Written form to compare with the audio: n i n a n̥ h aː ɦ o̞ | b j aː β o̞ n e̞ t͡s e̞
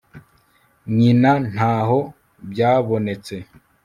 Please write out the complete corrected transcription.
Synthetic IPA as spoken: ɲ i n a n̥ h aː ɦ o̞ | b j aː β o̞ n e̞ t͡s e̞